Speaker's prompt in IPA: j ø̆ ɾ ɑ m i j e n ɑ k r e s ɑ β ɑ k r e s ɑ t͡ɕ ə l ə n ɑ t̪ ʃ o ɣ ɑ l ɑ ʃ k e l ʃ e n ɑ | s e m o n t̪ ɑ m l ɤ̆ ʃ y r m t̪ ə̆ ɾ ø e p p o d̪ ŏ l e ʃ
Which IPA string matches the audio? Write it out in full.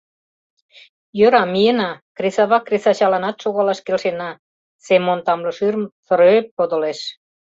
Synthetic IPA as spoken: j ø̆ ɾ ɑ m i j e n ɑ k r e s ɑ β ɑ k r e s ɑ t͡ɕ ɑ l ɑ n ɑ t̪ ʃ o ɣ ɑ l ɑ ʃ k e l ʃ e n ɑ | s e m o n t̪ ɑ m l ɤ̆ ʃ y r m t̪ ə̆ ɾ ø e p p o d̪ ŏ l e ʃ